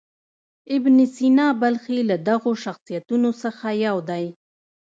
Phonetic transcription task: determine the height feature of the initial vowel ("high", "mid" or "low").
high